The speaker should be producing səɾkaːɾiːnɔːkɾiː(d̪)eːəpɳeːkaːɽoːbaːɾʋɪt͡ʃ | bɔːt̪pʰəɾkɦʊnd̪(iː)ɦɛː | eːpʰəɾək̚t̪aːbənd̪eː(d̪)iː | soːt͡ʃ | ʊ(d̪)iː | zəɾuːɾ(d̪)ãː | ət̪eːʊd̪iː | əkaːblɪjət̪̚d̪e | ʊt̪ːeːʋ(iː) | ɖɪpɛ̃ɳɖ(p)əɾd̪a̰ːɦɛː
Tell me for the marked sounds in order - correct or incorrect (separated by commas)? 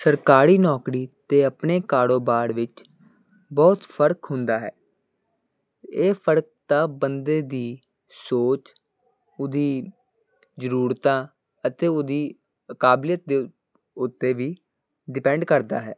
incorrect, incorrect, correct, correct, incorrect, correct, incorrect